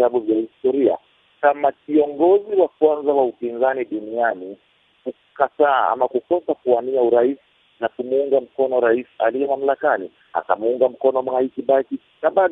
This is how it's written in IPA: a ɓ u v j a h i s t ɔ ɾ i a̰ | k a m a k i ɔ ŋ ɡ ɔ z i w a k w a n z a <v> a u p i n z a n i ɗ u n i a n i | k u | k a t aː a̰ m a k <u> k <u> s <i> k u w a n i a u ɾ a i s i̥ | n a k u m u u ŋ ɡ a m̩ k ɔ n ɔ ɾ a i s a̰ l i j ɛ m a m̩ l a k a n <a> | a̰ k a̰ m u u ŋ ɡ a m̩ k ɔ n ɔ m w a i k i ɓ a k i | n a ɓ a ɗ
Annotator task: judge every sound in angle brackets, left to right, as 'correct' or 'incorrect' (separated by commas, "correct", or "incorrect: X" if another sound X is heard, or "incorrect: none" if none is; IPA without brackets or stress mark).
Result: incorrect: w, correct, incorrect: ɔ, incorrect: a, incorrect: i